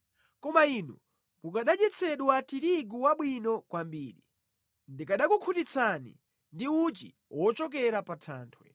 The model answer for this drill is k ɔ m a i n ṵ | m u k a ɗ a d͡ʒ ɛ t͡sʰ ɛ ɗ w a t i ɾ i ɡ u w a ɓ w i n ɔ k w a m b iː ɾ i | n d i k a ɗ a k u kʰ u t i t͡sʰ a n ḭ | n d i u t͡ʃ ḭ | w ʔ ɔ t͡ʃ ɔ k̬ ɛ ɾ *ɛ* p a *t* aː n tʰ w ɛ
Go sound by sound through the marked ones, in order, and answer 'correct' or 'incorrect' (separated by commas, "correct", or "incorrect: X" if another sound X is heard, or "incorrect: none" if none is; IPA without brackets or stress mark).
incorrect: a, incorrect: tʰ